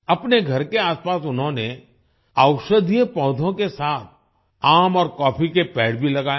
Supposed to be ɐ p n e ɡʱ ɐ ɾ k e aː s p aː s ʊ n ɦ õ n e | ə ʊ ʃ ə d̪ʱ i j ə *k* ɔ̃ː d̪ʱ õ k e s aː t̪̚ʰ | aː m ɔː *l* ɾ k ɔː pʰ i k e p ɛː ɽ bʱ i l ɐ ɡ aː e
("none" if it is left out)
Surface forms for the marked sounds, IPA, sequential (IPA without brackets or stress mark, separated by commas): p, none